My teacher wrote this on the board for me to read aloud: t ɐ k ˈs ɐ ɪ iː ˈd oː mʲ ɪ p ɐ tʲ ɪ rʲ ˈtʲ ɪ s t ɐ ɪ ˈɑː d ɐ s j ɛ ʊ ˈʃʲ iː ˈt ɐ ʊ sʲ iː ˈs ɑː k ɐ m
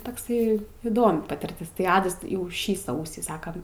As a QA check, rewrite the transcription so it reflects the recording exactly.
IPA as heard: t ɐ k ˈs ɐ ɪ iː ˈd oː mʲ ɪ p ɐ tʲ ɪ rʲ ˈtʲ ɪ s t ɐ ɪ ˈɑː d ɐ s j ɛ ʊ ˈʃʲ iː ˈs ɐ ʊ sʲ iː ˈs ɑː k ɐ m